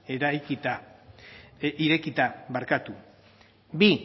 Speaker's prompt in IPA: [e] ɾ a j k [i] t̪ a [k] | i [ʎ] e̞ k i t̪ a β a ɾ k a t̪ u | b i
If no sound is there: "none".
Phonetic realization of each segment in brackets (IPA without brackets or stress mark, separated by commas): e, i, none, ɾ